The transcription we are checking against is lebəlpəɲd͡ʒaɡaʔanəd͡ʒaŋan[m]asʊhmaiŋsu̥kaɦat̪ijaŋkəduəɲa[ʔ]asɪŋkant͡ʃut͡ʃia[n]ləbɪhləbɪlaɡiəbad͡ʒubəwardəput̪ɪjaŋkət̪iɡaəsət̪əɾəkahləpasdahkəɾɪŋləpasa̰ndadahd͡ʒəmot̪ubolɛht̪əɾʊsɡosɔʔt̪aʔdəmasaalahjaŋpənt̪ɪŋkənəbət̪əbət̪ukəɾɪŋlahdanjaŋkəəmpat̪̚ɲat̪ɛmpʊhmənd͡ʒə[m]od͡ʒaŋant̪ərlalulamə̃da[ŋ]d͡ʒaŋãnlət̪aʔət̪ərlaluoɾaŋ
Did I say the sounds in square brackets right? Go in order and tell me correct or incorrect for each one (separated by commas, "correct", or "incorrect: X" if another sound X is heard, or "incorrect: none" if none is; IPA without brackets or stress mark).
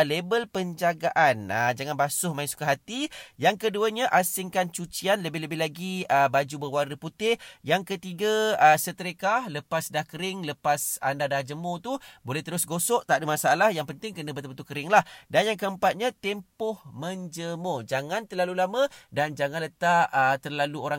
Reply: incorrect: b, correct, correct, correct, incorrect: n